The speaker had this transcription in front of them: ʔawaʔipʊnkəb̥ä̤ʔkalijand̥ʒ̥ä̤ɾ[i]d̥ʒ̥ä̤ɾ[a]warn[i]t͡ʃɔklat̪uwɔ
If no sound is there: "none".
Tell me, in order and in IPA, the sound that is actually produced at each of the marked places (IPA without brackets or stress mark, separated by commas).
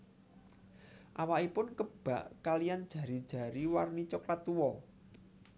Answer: i, i, i